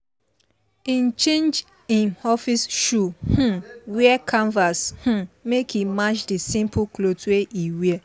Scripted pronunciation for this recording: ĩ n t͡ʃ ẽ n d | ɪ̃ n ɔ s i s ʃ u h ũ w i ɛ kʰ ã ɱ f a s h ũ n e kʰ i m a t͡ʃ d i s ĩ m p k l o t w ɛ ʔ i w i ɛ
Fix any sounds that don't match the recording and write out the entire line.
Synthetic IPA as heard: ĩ n t͡ʃ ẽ n d͡ʒ | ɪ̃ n ɔ f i s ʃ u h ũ w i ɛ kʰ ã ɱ v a s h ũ m e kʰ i m a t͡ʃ d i s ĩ m p k l o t w e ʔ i w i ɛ